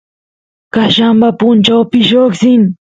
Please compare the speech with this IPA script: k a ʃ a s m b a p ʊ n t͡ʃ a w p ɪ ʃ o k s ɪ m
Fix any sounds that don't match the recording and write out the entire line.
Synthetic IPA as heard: k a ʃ a m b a p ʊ n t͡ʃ a w p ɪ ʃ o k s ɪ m